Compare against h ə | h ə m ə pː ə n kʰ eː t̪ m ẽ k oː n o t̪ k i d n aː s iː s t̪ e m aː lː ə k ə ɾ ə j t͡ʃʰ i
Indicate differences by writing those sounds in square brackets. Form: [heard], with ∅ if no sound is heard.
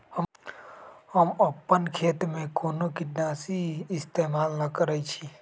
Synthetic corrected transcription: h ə | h ə m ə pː ə n kʰ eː t̪ m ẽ k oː n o [∅] k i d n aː s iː s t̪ e m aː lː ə k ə ɾ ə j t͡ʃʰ i

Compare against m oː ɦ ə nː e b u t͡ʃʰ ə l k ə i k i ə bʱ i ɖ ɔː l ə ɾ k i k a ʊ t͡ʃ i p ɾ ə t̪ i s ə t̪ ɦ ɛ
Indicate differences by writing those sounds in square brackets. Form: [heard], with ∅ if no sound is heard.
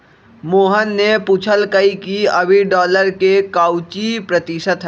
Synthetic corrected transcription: m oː ɦ ə nː e [p] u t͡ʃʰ ə l k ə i k i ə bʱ i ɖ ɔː l ə ɾ k [e] k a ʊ t͡ʃ i p ɾ ə t̪ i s ə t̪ ɦ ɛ

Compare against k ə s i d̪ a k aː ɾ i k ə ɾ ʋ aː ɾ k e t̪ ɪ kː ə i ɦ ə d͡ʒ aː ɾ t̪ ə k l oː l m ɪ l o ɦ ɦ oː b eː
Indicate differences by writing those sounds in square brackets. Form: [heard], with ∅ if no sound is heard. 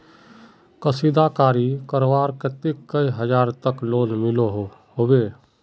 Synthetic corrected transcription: k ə s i d̪ a k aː ɾ i k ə ɾ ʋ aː ɾ k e t̪ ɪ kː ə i ɦ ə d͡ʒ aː ɾ t̪ ə k l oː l m ɪ l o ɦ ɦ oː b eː

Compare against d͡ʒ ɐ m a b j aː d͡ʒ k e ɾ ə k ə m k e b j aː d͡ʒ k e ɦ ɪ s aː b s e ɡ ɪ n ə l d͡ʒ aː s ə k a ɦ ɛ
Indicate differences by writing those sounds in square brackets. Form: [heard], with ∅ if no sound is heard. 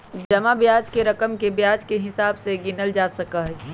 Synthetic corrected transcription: d͡ʒ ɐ m a b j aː d͡ʒ k e ɾ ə k ə m k e b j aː d͡ʒ k e ɦ ɪ s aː b s e ɡ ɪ n ə l d͡ʒ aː s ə k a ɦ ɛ

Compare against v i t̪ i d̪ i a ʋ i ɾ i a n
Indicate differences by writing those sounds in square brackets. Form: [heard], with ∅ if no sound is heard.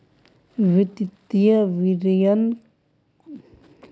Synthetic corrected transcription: v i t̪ i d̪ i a [v] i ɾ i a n

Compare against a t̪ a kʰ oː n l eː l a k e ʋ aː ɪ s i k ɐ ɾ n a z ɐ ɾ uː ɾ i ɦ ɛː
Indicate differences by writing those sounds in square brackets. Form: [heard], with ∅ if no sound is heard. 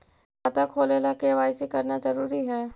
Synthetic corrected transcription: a t̪ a kʰ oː [∅] l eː l a k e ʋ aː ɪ s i k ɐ ɾ n a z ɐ ɾ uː ɾ i ɦ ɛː

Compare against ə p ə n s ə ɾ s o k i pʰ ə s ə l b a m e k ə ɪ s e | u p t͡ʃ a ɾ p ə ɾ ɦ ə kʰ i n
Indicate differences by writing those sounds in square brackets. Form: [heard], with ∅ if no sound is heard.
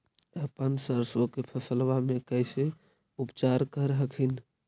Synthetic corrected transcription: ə p ə n s ə ɾ s o k [e] pʰ ə s ə l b a m e k ə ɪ s e | u p t͡ʃ a ɾ [k] ə ɾ ɦ ə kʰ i n

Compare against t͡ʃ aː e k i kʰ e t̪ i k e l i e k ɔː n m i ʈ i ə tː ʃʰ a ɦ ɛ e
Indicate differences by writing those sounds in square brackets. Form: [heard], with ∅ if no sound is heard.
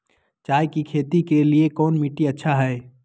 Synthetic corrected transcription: t͡ʃ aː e k i kʰ e t̪ i k e l i e k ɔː n m i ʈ i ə tː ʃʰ a ɦ ɛ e

